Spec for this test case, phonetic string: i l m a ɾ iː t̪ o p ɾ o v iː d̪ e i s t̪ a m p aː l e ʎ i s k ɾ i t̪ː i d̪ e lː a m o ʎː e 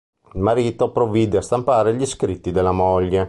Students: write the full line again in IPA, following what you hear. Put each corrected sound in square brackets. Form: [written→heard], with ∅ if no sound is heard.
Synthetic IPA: i l m a ɾ iː t̪ o p ɾ o v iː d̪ e [i→a] s t̪ a m p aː [l→ɾ] e ʎ i s k ɾ i t̪ː i d̪ e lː a m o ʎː e